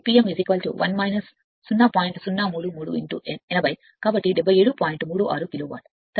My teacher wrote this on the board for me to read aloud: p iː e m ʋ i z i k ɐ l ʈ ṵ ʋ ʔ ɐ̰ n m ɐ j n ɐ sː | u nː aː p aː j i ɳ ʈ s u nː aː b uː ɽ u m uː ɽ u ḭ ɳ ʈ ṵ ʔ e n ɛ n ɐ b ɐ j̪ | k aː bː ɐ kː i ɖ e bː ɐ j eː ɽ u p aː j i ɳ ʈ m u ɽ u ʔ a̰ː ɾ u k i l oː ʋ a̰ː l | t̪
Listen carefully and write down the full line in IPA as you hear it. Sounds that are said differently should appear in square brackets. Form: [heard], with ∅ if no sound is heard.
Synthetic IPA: p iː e m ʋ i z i k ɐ l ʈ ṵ ʋ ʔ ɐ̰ n m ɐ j n ɐ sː | u nː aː p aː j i ɳ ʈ s u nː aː [m] uː ɽ u m uː ɽ u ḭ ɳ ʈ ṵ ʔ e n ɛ n ɐ b ɐ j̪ | k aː [b] ɐ [ʈː] i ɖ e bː ɐ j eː ɽ u p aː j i ɳ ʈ m [uː] ɽ u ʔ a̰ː ɾ u k i l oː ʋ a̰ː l | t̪